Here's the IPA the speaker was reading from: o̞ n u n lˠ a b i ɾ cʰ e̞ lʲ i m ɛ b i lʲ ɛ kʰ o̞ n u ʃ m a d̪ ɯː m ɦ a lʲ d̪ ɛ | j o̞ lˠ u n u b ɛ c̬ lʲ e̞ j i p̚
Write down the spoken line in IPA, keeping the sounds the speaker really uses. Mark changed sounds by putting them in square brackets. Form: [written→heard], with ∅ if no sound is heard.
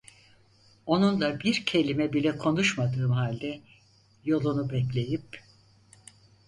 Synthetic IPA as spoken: o̞ n u n lˠ a b i ɾ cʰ e̞ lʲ i m ɛ b i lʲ ɛ kʰ o̞ n u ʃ m a d̪ ɯː m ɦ a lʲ d̪ ɛ | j o̞ lˠ u n u b ɛ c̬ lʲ e̞ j i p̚